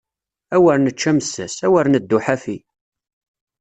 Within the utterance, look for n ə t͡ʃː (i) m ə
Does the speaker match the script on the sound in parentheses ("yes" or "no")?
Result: no